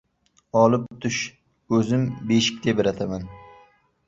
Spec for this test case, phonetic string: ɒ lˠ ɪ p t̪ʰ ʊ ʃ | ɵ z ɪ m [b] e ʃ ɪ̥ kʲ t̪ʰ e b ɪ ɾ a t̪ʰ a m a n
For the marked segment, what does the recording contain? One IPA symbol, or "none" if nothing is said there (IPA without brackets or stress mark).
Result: b